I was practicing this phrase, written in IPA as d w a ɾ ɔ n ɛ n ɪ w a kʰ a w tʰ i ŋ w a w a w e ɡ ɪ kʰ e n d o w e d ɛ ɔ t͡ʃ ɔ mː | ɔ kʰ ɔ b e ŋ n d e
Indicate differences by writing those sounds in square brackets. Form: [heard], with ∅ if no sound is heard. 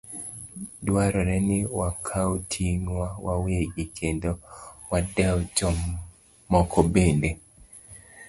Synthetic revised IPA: d w a ɾ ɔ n ɛ n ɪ w a kʰ a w tʰ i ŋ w a w a w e ɡ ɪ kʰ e n d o w [a] d ɛ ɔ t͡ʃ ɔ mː | ɔ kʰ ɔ b e [∅] n d e